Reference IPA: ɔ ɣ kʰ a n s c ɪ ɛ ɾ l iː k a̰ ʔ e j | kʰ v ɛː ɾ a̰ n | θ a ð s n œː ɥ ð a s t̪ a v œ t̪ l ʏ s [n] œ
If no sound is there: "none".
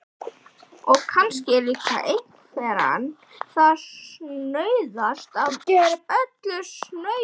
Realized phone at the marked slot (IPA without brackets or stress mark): n